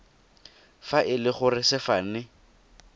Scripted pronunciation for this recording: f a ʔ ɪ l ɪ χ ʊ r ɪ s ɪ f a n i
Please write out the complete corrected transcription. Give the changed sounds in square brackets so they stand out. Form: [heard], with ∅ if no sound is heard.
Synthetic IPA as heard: f a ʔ ɪ l ɪ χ ʊ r ɪ s ɪ f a n [ɪ]